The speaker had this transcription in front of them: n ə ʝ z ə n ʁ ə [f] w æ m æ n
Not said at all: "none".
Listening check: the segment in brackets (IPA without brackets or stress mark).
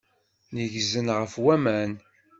f